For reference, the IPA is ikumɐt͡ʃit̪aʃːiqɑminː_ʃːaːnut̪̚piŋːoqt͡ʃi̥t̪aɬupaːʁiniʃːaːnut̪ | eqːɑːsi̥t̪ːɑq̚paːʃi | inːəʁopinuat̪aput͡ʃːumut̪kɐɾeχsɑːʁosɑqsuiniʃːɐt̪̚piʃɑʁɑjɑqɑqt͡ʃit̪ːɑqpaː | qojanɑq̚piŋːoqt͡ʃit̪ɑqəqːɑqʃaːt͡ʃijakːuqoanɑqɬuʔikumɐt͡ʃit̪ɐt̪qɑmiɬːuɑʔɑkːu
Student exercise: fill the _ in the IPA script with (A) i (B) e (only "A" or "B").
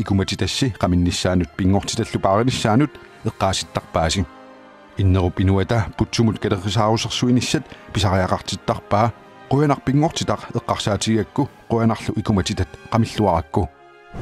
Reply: A